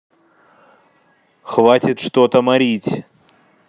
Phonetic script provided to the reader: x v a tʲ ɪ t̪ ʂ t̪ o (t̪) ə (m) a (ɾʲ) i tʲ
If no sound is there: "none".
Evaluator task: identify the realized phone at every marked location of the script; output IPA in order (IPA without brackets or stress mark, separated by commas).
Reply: t̪, m, ɾʲ